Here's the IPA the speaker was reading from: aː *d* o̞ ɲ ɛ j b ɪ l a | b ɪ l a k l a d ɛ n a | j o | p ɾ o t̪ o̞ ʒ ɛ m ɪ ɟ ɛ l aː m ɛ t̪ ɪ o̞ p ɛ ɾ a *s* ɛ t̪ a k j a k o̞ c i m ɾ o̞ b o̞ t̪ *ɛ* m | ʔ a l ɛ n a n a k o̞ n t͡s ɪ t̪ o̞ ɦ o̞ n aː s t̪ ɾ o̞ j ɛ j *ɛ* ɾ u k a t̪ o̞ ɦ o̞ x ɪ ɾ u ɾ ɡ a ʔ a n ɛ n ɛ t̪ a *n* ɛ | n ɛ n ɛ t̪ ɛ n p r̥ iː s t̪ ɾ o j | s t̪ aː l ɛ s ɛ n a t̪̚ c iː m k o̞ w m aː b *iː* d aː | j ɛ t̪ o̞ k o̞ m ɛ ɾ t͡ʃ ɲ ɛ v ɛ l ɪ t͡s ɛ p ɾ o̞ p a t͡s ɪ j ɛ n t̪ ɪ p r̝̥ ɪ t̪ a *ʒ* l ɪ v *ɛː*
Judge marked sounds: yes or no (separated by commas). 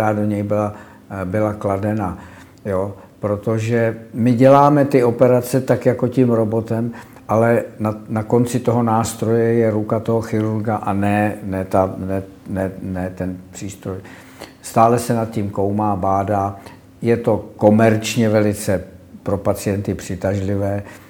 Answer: yes, no, yes, yes, yes, no, yes, yes